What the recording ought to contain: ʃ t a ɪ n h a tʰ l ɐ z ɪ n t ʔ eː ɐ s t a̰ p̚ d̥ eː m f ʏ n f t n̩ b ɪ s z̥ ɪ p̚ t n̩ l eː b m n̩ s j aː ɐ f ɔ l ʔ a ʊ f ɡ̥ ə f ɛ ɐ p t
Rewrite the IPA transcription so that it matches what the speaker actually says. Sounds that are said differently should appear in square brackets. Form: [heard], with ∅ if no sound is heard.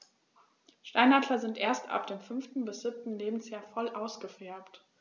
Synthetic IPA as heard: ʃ t a ɪ n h a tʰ l ɐ z ɪ n t ʔ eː ɐ s t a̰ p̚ d̥ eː m f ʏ n f t n̩ b ɪ s z̥ ɪ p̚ t n̩ l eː b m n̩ s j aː ɐ f ɔ l ʔ a ʊ [s] ɡ̥ ə f ɛ ɐ p t